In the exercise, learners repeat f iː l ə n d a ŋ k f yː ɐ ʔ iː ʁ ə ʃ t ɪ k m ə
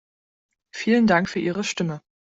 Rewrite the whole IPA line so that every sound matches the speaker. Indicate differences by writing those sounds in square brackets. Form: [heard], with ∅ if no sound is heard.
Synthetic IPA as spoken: f iː l ə n d a ŋ k f yː ɐ ʔ iː ʁ ə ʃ t ɪ [∅] m ə